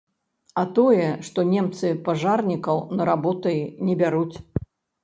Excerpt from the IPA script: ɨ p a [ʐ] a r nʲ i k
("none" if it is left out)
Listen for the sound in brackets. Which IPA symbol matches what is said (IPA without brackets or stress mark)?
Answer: ʐ